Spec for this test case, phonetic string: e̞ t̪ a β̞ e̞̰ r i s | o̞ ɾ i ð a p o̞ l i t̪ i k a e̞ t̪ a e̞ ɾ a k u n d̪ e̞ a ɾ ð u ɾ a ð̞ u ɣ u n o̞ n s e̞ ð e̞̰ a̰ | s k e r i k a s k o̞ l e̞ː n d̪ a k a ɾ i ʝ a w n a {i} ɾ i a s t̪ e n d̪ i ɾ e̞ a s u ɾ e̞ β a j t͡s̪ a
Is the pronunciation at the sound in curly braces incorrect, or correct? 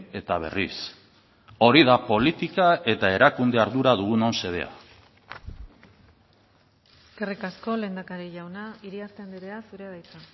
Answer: correct